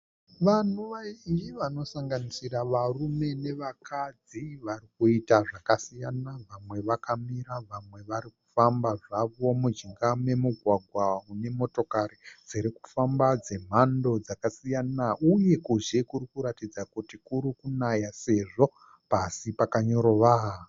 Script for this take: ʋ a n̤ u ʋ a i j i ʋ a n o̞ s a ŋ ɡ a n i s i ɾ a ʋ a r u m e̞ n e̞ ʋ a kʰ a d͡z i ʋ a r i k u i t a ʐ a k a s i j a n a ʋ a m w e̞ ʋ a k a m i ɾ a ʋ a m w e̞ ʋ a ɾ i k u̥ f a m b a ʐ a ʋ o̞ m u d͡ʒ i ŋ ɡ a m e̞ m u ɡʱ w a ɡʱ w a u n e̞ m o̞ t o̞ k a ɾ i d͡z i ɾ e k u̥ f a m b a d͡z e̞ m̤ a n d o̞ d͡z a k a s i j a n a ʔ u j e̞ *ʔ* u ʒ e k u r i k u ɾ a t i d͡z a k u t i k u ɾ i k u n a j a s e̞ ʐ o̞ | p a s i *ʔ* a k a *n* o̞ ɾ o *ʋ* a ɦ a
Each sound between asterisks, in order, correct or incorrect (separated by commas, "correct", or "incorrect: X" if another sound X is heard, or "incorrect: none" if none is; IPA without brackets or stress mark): incorrect: k, incorrect: p, incorrect: ɲ, correct